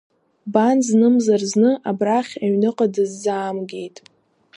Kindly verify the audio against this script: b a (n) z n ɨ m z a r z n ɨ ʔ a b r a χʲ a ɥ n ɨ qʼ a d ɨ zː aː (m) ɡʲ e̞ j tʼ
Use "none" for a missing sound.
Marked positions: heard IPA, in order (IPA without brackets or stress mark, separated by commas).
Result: n, m